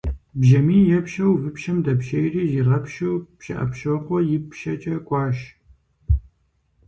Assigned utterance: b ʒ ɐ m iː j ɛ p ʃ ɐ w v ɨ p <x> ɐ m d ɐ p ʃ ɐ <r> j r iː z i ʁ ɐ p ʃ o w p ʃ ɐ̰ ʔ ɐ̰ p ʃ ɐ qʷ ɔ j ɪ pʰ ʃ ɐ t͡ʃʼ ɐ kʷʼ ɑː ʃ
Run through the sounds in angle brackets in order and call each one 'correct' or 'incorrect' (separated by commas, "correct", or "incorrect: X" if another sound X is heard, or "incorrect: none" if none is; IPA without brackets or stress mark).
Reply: incorrect: ʃ, incorrect: none